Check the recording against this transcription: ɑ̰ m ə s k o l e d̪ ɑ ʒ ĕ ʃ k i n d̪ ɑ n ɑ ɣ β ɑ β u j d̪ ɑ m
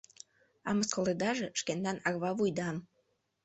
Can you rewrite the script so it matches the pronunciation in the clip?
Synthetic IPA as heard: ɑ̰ m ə s k o l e d̪ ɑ ʒ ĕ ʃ k e n d̪ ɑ n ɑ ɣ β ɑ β u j d̪ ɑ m